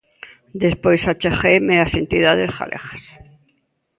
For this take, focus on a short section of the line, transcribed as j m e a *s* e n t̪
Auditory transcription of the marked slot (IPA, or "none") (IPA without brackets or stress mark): s